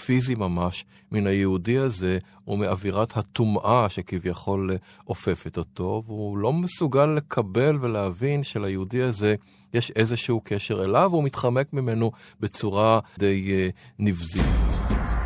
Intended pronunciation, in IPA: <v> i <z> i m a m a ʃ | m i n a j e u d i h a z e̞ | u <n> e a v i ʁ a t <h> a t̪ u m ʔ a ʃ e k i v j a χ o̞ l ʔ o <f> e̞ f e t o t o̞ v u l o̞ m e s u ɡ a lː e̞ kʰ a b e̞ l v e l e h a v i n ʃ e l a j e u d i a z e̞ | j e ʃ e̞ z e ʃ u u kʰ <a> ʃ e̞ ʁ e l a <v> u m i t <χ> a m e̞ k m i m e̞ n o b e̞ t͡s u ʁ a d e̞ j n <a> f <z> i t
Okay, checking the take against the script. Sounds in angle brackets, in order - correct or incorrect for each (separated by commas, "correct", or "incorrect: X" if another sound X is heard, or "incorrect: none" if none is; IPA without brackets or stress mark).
incorrect: f, correct, incorrect: m, correct, correct, incorrect: e, correct, correct, incorrect: i, correct